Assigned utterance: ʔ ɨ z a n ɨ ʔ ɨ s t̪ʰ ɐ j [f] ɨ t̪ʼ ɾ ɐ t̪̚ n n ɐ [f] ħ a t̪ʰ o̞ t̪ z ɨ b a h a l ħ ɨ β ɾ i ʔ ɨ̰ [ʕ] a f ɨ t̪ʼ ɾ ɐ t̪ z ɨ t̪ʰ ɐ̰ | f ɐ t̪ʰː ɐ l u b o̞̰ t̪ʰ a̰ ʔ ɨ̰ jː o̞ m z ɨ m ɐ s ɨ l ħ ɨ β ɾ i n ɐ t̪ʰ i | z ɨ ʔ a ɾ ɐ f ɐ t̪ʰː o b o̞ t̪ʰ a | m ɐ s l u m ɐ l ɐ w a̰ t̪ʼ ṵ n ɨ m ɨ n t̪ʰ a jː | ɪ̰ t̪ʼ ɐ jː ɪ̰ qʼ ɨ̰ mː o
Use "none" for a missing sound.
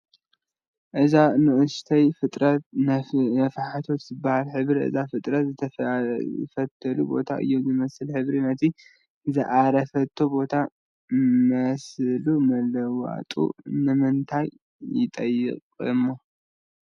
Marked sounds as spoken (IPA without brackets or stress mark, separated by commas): f, f, z